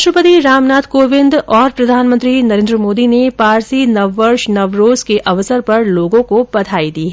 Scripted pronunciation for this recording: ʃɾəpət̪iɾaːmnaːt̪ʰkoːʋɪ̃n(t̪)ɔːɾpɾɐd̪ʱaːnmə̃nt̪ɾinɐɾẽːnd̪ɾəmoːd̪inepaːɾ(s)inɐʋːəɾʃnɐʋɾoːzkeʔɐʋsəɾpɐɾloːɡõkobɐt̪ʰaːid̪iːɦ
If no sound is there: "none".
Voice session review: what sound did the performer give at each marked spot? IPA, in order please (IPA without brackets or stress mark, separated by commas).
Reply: d̪, s